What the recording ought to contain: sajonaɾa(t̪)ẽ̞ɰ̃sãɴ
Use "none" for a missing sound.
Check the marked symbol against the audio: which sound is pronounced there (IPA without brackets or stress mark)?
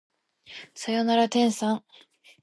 t̪